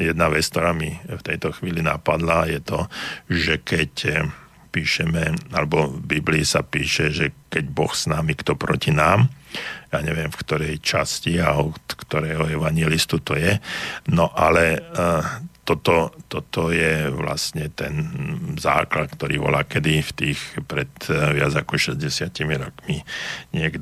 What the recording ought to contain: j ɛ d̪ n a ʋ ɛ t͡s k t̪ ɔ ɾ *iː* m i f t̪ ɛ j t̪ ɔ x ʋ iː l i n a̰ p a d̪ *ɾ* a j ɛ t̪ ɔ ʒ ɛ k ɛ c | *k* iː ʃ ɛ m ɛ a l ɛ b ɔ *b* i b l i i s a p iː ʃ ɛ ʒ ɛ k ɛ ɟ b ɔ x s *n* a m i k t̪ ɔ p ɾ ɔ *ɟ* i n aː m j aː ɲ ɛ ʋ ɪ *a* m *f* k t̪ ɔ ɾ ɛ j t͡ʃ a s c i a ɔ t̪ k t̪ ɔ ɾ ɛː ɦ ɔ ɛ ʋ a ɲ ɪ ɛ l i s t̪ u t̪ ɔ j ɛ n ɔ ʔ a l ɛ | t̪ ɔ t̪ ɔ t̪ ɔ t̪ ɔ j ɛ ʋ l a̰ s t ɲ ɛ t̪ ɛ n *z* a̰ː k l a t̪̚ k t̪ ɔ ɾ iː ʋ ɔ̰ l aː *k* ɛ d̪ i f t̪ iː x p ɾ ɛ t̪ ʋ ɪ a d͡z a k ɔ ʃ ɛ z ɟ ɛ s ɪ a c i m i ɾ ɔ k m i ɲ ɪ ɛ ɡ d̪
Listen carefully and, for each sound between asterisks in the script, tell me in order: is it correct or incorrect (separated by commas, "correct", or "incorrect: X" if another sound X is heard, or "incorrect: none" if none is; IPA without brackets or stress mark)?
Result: incorrect: aː, incorrect: l, incorrect: p, correct, correct, incorrect: c, incorrect: ɛ, correct, correct, correct